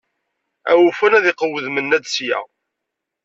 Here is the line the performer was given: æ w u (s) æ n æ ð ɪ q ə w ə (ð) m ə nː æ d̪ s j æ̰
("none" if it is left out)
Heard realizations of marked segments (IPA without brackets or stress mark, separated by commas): f, ð